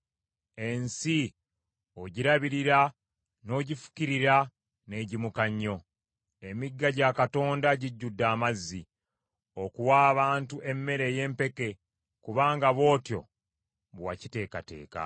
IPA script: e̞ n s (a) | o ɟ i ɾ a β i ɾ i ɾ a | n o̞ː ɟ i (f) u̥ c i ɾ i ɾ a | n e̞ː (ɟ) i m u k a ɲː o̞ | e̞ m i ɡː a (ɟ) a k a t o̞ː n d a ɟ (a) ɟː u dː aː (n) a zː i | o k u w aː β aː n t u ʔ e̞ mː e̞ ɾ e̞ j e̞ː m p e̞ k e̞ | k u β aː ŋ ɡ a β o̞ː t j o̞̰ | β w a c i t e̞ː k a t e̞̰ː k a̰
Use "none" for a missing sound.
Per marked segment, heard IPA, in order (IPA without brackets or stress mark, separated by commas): i, f, ɟ, ɟ, i, m